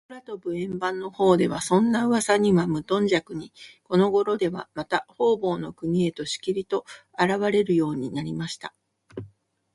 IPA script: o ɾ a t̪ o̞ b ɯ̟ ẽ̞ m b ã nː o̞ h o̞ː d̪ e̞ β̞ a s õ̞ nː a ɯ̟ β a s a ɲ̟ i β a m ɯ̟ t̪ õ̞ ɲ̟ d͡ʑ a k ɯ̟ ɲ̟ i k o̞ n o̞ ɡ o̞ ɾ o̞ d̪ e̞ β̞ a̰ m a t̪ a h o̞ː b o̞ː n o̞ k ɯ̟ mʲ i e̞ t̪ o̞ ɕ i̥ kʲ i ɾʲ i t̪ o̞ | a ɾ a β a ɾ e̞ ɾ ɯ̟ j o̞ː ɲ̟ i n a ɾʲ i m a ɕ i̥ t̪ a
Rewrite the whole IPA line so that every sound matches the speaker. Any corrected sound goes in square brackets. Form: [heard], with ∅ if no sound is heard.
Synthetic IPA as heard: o ɾ a t̪ o̞ b ɯ̟ ẽ̞ m b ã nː o̞ h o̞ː d̪ e̞ β̞ a s õ̞ nː a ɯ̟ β a s a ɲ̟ i β a m ɯ̟ t̪ õ̞ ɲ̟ d͡ʑ a k ɯ̟ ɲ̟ i k o̞ n o̞ ɡ o̞ ɾ o̞ d̪ e̞ β̞ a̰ m a t̪ a h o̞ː b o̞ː n o̞ k ɯ̟ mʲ i e̞ t̪ o̞ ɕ i̥ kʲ i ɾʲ i t̪ o̞ | a ɾ a β a ɾ e̞ ɾ ɯ̟ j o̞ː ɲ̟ i n a ɾʲ i m a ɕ i̥ t̪ a